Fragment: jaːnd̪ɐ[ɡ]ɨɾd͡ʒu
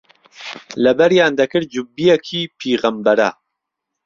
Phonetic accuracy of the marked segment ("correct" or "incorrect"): incorrect